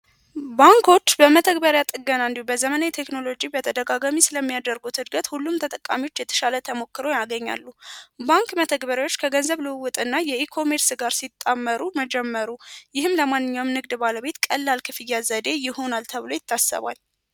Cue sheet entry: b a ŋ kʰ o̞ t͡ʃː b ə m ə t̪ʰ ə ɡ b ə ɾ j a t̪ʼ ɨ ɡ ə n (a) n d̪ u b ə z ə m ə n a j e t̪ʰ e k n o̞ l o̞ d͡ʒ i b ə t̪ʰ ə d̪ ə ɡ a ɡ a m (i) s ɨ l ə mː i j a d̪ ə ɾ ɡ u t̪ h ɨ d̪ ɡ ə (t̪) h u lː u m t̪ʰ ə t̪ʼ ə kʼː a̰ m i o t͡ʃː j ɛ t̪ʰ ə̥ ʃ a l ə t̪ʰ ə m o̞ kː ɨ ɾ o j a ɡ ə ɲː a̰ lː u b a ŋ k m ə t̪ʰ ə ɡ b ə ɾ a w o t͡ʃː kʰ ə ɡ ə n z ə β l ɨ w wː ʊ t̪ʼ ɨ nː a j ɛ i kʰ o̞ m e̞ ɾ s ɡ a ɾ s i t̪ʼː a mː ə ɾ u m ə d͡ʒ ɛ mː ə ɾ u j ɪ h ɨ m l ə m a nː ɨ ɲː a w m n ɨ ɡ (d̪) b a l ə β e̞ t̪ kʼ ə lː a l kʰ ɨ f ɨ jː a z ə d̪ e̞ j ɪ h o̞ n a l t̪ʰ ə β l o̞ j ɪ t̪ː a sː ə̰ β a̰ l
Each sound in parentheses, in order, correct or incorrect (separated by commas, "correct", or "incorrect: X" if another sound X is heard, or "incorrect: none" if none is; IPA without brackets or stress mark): correct, correct, correct, correct